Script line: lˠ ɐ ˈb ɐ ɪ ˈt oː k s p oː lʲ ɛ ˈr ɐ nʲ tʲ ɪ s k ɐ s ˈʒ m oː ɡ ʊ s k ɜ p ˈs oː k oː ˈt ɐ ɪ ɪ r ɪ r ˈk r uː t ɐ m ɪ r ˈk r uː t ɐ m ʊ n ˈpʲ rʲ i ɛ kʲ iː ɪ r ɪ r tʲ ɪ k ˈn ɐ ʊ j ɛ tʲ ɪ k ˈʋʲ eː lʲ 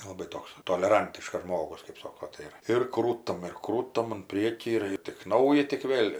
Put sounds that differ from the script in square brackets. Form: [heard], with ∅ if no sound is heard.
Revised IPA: lˠ ɐ ˈb ɐ ɪ ˈt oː k s [t] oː lʲ ɛ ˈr ɐ nʲ tʲ ɪ [ʃ] k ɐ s ˈʒ m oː ɡ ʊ s k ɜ p ˈs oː k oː ˈt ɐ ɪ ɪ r ɪ r ˈk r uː t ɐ m ɪ r ˈk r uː t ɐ m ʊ n ˈpʲ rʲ i ɛ kʲ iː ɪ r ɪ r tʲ ɪ k ˈn ɐ ʊ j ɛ tʲ ɪ k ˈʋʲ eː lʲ